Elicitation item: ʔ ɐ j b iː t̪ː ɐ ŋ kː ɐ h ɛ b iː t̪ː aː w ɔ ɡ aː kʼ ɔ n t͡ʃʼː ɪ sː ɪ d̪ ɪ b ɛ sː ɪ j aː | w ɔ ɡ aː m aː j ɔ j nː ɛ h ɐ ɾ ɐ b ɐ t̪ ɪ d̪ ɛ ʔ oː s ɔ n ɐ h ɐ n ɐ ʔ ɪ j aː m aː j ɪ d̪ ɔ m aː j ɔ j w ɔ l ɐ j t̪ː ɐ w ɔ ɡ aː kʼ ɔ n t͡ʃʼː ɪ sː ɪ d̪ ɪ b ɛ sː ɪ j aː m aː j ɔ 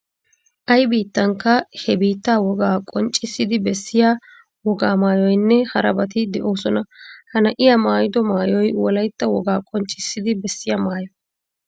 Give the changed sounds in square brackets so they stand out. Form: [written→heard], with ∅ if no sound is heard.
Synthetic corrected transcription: ʔ ɐ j b iː t̪ː ɐ ŋ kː ɐ h ɛ b iː t̪ː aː w ɔ ɡ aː kʼ ɔ n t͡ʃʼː ɪ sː ɪ d̪ ɪ b ɛ sː ɪ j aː | w ɔ ɡ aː m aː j ɔ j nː ɛ h ɐ ɾ ɐ b ɐ t̪ ɪ d̪ ɛ ʔ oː s ɔ n ɐ h ɐ n ɐ ʔ ɪ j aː m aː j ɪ d̪ ɔ m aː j ɔ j w ɔ l ɐ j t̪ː ɐ w ɔ ɡ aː kʼ ɔ n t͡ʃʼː ɪ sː ɪ d̪ ɪ b ɛ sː ɪ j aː m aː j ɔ